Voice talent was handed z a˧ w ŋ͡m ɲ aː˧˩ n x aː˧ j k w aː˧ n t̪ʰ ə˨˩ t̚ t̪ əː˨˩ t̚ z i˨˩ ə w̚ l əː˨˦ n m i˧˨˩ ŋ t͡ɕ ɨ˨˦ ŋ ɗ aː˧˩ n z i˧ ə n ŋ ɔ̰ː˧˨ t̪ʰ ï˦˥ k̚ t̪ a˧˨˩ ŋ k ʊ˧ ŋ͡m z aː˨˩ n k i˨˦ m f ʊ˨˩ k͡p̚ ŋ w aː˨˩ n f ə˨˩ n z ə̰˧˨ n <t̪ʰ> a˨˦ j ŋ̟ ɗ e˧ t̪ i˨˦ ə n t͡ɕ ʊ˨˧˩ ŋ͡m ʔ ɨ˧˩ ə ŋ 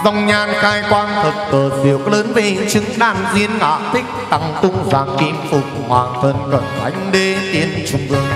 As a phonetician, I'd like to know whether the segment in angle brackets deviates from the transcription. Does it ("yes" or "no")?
no